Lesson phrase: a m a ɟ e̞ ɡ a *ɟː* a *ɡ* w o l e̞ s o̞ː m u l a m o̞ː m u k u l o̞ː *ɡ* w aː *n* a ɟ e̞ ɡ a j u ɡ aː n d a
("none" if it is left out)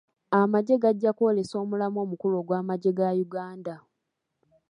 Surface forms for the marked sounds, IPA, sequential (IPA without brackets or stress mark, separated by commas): ɟː, k, ɡ, m